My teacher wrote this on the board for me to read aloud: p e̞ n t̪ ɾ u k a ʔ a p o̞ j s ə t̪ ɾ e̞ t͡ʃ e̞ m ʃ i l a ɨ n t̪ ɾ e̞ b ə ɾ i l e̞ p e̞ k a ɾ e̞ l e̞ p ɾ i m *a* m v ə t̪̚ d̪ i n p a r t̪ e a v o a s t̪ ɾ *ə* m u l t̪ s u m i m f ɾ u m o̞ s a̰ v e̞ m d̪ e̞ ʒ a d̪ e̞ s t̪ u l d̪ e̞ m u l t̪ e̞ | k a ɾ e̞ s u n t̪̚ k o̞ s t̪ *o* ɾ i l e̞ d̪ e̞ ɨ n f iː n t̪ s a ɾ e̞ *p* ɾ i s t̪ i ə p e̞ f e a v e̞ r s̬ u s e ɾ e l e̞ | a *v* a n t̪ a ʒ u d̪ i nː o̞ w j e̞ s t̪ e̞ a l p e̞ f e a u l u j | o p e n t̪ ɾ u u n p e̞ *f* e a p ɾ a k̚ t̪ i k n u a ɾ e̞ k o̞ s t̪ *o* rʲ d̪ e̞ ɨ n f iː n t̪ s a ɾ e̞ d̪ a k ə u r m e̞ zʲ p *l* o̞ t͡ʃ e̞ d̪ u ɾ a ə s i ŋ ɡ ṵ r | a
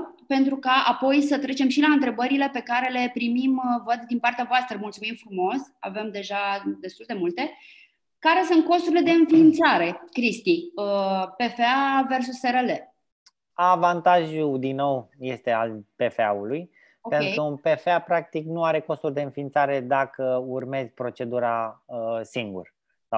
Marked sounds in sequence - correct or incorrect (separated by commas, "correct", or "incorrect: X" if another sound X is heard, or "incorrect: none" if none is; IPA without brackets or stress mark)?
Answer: incorrect: i, correct, incorrect: u, incorrect: k, correct, correct, incorrect: u, incorrect: ɾ